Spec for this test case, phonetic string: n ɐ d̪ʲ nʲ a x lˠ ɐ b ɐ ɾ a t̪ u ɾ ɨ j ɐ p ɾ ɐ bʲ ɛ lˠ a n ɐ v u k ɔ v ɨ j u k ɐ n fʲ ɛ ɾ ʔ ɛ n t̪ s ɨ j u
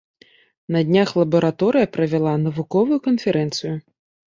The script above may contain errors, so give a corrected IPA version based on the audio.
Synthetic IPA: n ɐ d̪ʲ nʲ a x lˠ ɐ b ɐ ɾ a t̪ ɔ ɾ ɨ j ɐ p ɾ ɐ vʲ ɛ lˠ a n ɐ v u k ɔ v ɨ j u k ɐ n fʲ ɛ ɾ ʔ ɛ n t̪ s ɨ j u